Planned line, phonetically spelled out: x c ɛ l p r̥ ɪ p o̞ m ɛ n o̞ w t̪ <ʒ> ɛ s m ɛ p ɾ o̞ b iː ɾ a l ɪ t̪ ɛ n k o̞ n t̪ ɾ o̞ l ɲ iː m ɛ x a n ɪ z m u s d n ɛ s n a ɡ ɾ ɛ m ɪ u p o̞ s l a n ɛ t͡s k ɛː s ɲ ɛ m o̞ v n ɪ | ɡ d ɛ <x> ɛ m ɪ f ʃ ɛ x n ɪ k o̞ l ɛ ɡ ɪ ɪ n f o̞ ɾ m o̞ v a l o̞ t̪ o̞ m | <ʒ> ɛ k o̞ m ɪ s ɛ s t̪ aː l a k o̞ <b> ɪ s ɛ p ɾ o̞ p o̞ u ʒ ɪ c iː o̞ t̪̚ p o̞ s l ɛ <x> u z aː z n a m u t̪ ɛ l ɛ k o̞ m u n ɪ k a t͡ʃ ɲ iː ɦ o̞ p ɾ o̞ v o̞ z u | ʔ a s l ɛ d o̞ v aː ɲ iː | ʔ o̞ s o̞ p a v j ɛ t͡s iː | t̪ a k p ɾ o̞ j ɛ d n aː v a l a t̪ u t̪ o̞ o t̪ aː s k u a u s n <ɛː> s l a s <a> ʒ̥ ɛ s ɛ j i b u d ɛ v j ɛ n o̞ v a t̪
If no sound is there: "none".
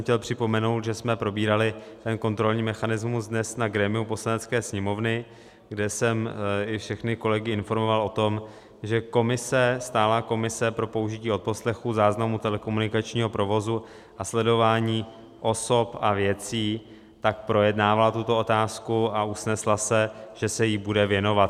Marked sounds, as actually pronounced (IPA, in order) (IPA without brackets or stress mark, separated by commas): ʒ, s, ʒ, m, x, ɛ, ɛ